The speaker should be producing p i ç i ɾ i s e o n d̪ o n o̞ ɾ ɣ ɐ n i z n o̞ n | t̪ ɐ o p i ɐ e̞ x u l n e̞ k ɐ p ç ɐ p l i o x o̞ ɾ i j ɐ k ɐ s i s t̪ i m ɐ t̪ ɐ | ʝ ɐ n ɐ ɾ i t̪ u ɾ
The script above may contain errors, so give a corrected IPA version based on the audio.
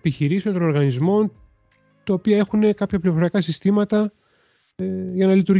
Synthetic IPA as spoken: p i ç i ɾ i s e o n t̪ o n o̞ ɾ ɣ ɐ n i z m o̞ n | t̪ ɐ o p i ɐ e̞ x u n e̞ k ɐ p ç ɐ p l i o f o̞ ɾ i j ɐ k ɐ s i s t̪ i m ɐ t̪ ɐ | ʝ ɐ n ɐ l i t̪ u ɾ